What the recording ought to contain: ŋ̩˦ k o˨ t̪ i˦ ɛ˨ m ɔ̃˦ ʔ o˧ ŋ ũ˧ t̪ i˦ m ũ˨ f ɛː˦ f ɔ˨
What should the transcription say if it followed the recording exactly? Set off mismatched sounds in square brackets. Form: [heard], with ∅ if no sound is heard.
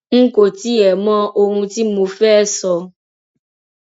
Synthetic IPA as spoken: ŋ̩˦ k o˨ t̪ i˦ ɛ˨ m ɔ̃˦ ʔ o˧ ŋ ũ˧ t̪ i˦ m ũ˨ f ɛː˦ [s] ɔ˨